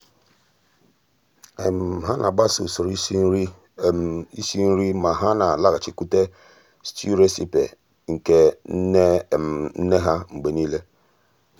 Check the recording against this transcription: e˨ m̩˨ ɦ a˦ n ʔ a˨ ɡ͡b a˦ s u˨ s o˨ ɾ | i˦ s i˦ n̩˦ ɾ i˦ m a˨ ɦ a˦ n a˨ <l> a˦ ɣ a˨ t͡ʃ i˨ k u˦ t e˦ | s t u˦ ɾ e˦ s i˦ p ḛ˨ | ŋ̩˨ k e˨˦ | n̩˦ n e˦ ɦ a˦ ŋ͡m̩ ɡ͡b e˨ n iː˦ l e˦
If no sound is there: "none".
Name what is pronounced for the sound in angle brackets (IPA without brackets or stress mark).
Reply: l